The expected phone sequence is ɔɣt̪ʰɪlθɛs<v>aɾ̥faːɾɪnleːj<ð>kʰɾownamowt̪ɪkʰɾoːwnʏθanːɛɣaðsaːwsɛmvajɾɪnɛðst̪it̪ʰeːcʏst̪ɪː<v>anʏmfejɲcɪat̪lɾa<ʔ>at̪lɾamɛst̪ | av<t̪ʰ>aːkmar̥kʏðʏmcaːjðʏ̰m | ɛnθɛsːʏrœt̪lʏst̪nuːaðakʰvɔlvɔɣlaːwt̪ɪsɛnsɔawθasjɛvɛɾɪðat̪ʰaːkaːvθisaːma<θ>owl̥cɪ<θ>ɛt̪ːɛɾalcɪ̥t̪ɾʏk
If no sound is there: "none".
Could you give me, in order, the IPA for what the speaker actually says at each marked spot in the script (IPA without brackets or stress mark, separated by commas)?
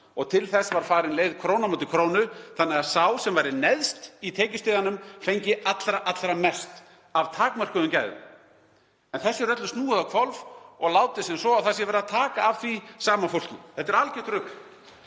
v, ð, ð, ʔ, t̪ʰ, f, θ